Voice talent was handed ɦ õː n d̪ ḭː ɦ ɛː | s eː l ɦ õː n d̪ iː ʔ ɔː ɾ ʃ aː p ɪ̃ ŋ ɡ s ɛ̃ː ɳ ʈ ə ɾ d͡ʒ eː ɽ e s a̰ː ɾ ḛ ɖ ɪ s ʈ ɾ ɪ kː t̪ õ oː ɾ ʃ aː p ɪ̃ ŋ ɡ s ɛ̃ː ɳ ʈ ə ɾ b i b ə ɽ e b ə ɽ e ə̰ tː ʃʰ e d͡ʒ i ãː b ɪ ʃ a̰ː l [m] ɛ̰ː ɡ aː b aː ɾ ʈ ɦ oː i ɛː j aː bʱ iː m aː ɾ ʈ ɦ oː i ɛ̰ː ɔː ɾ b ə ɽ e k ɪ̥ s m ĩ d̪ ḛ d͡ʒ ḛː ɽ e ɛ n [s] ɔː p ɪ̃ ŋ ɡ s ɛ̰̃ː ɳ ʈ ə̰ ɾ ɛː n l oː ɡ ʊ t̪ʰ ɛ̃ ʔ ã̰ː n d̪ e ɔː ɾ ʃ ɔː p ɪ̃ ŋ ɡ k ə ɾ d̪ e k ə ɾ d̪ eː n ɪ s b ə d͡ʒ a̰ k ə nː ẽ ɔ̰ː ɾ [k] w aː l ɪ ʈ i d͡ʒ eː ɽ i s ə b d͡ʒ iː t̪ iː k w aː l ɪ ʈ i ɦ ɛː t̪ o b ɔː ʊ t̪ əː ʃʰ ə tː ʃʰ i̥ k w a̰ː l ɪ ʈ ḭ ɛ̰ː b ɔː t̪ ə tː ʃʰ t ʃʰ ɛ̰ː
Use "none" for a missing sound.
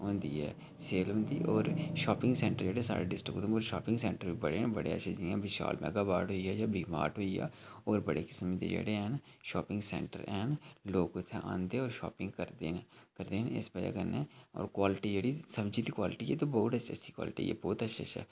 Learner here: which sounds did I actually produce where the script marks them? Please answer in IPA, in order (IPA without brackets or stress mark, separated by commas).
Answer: m, ʃ, k